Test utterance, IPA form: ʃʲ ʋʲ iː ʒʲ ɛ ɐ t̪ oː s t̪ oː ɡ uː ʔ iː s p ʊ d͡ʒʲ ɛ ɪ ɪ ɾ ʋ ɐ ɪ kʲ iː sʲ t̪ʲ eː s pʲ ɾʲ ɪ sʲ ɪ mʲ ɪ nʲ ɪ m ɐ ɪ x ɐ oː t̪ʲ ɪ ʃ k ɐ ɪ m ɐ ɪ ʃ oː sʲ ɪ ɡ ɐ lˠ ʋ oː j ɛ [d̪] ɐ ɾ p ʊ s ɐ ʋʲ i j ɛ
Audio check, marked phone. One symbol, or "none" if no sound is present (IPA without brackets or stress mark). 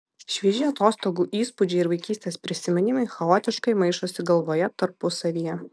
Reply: t̪